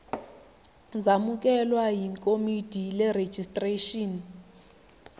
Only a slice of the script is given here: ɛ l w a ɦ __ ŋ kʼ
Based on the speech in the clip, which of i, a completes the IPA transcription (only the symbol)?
i